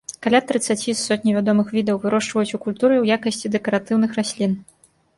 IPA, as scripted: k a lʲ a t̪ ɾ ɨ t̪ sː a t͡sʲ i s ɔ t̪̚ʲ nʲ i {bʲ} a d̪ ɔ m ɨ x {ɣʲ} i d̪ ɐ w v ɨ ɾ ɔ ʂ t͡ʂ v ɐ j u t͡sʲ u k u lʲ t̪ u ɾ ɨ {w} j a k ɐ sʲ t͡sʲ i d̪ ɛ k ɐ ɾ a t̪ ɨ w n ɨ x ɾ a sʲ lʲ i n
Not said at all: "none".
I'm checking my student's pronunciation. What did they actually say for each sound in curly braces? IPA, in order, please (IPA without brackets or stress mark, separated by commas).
vʲ, vʲ, w